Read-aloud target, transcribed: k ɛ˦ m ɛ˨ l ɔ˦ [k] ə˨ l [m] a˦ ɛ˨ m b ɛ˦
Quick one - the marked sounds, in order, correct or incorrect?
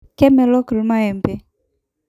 correct, correct

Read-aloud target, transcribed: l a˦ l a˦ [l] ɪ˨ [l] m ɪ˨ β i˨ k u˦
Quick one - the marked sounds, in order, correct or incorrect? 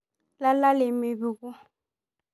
correct, incorrect: none

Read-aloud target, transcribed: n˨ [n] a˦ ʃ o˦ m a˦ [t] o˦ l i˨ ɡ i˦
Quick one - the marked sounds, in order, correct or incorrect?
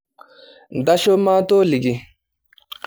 incorrect: d, correct

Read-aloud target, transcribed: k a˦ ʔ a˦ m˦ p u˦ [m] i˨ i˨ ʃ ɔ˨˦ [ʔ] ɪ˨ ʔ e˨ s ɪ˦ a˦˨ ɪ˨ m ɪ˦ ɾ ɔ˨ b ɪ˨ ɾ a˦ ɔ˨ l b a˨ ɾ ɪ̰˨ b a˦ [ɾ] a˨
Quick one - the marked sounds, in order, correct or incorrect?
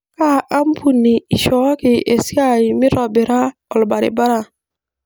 incorrect: n, incorrect: k, correct

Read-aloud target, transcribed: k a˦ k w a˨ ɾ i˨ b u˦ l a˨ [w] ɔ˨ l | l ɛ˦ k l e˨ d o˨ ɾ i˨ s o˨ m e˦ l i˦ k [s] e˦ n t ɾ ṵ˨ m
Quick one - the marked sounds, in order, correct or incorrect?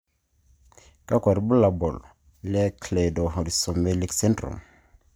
incorrect: b, correct

